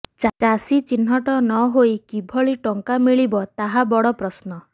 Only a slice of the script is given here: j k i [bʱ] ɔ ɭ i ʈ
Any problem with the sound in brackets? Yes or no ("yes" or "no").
no